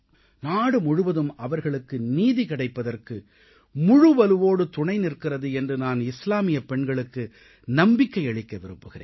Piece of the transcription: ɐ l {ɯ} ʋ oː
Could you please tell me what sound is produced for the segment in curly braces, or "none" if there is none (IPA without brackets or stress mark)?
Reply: ɯ